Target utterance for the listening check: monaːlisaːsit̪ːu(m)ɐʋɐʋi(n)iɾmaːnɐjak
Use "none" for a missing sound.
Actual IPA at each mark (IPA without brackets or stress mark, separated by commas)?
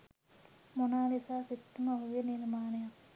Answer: m, n